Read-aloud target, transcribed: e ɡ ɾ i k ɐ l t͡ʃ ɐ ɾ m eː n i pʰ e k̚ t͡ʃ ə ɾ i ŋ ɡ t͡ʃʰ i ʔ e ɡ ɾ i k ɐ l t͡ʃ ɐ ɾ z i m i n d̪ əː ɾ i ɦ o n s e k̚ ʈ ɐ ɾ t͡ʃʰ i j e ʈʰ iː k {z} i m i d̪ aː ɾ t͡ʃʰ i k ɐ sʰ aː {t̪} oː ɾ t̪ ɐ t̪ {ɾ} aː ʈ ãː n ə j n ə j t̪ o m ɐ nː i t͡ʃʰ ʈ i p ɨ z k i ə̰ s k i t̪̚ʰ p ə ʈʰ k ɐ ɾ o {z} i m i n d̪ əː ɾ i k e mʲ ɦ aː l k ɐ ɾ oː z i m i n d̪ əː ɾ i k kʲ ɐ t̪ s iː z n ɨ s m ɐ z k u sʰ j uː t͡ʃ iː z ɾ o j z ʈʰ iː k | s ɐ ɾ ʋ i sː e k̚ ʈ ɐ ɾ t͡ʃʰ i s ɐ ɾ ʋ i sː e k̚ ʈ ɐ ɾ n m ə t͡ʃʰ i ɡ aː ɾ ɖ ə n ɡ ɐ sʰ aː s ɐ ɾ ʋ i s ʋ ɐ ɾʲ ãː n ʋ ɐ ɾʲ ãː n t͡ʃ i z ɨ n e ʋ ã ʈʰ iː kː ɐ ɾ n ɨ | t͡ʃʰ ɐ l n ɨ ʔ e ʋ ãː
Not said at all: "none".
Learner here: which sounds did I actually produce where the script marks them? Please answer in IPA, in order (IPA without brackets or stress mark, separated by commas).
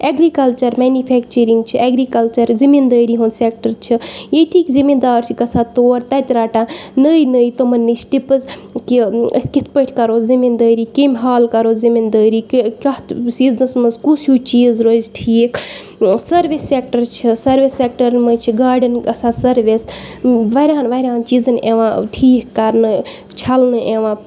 z, t̪, ɾ, z